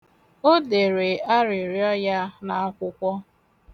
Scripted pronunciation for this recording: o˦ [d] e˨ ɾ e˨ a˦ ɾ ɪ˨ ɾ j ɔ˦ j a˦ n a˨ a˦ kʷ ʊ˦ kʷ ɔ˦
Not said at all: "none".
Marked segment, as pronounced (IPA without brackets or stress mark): d